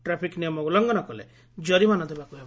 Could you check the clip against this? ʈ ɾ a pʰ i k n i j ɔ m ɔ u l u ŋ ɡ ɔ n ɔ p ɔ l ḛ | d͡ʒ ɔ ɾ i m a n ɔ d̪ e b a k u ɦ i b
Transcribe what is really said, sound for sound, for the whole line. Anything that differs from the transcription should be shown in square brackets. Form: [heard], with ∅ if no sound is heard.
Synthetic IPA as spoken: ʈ ɾ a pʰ i k n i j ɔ m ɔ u l [ɔ] ŋ ɡ ɔ n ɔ [k] ɔ l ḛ | d͡ʒ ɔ ɾ i m a n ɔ d̪ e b a k u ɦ [e] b